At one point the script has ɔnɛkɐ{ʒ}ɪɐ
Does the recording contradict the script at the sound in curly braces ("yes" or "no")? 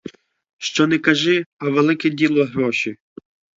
no